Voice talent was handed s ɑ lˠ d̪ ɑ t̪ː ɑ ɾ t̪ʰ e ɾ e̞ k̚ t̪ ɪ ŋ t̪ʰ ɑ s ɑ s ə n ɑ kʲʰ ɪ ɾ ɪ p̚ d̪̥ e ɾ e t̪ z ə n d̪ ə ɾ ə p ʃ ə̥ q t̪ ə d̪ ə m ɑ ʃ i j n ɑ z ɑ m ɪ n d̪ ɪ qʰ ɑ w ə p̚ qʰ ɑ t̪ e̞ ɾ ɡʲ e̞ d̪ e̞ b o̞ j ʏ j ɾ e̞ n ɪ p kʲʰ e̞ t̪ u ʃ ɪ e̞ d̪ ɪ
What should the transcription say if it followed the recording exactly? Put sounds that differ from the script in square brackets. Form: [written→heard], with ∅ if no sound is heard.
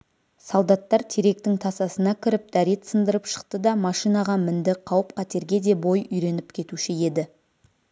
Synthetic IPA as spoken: s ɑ lˠ d̪ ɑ t̪ː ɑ ɾ t̪ʰ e ɾ e̞ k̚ t̪ ɪ ŋ t̪ʰ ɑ s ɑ s ə n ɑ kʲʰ ɪ ɾ ɪ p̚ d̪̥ [e→æ] ɾ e t̪ [z→s] ə n d̪ ə ɾ ə p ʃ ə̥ q t̪ ə d̪ [ə→ɑ] m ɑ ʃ i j n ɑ [z→ʁ] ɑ m ɪ n d̪ ɪ qʰ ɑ w ə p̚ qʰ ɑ t̪ e̞ ɾ ɡʲ e̞ d̪ e̞ b o̞ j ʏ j ɾ e̞ n ɪ p kʲʰ e̞ t̪ u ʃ ɪ e̞ d̪ ɪ